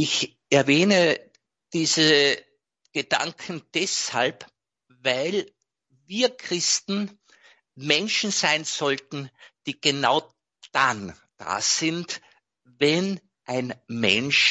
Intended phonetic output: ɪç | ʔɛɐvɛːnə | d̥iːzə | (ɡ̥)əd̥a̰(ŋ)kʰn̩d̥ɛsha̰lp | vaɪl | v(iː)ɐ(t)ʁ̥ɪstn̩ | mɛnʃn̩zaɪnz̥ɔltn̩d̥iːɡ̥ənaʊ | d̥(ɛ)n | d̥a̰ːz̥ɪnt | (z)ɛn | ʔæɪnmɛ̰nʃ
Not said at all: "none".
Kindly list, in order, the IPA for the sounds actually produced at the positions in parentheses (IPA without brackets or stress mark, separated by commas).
ɡ̥, ŋ, iː, k, a, v